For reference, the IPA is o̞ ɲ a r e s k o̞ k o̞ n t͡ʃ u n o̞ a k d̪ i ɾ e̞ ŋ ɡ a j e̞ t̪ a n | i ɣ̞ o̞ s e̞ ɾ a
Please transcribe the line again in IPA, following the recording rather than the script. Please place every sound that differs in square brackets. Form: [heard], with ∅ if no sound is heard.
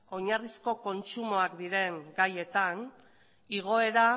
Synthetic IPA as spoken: o̞ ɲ a r [i] s k o̞ k o̞ n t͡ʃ u [m] o̞ a k d̪ i ɾ e̞ ŋ ɡ a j e̞ t̪ a n | i ɣ̞ o̞ [∅] e̞ ɾ a